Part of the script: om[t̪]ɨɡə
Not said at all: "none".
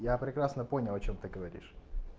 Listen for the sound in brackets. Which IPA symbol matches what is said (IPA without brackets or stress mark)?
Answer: t̪